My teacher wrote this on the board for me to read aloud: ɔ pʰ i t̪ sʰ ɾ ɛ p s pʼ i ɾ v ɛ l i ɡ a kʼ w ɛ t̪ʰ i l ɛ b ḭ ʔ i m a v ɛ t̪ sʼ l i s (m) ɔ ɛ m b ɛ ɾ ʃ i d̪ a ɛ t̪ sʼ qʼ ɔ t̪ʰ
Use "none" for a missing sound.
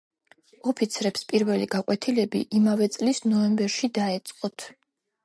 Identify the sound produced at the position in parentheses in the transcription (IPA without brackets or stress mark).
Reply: n